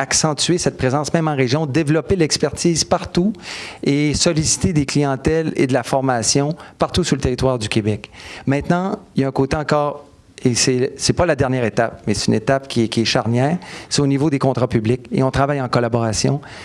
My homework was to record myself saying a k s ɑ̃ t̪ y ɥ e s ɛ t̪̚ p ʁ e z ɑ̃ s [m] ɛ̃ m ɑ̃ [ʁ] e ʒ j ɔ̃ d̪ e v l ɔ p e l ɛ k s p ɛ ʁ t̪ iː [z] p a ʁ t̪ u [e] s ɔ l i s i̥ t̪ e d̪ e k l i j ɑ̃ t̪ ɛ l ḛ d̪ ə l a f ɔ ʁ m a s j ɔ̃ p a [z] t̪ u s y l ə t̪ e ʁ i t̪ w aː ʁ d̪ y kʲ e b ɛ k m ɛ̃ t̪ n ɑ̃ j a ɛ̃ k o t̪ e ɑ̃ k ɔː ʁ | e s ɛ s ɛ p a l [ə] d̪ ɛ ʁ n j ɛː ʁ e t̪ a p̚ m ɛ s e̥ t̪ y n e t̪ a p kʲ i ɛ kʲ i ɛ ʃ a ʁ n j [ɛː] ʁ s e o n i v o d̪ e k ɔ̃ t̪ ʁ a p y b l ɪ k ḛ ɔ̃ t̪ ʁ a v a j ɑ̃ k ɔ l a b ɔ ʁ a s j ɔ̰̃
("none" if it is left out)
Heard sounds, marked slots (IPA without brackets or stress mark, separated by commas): m, ʁ, z, e, ʁ, a, ɛː